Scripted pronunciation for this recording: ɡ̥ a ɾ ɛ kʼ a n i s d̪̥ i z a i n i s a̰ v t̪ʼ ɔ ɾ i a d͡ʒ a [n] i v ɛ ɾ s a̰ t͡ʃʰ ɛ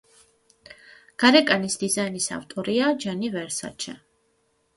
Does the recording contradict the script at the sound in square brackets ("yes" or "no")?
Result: no